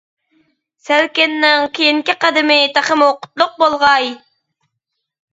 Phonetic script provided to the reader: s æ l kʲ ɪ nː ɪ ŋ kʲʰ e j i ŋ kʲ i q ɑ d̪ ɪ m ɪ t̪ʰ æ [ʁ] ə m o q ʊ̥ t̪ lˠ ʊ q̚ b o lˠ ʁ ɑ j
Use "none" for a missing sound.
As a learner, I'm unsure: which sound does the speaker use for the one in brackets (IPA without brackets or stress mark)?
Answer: χ